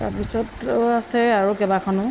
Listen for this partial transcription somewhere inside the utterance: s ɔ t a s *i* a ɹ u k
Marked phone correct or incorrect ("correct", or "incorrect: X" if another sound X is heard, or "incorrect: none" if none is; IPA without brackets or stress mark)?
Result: incorrect: ɛ